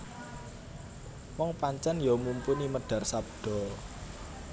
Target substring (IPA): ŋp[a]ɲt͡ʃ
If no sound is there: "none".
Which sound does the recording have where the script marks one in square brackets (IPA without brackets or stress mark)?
a